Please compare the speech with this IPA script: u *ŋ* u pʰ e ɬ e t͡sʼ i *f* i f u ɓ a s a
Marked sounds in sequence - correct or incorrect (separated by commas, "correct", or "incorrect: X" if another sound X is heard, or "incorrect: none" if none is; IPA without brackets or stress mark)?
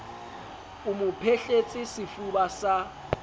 incorrect: m, incorrect: s